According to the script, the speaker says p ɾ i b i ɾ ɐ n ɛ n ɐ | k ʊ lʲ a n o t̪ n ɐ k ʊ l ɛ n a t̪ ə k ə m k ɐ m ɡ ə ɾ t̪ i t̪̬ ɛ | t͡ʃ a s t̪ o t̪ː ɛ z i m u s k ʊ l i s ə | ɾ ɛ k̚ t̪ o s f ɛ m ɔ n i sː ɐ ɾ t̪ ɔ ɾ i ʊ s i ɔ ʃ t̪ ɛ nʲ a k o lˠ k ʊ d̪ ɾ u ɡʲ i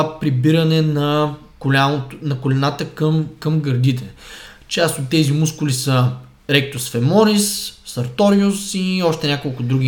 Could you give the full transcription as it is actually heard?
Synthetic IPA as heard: p ɾ i b i ɾ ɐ n ɛ n ɐ | k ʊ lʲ a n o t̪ n ɐ k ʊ l ɛ n a t̪ ə k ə m k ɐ m ɡ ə ɾ d̪ i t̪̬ ɛ | t͡ʃ a s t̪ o t̪ː ɛ z i m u s k ʊ l i s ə | ɾ ɛ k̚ t̪ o s f ɛ m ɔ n i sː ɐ ɾ t̪ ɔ ɾ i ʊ s i ɔ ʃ t̪ ɛ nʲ a k o lˠ k ʊ d̪ ɾ u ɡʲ i